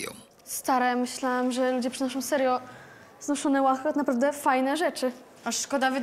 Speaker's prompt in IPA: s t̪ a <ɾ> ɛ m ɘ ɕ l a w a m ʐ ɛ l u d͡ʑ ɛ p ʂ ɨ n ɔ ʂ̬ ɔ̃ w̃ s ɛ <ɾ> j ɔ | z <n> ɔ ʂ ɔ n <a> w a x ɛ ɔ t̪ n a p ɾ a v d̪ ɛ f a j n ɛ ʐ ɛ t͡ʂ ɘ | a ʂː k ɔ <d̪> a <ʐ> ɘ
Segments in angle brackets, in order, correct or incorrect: correct, correct, correct, incorrect, correct, incorrect

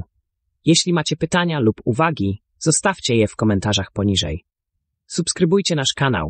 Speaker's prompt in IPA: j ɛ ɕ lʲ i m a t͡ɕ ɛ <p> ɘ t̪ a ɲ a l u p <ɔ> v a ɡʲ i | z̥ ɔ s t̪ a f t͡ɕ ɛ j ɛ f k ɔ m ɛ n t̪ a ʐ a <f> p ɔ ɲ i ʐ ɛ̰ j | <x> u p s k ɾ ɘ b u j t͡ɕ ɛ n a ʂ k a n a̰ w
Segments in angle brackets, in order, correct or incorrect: correct, incorrect, incorrect, incorrect

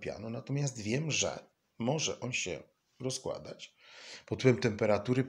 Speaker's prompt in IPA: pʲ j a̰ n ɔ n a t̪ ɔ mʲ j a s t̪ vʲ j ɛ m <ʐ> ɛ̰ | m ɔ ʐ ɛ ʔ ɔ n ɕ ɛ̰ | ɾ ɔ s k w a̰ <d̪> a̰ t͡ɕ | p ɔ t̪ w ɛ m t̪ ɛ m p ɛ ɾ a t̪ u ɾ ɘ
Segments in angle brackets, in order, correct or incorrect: correct, correct

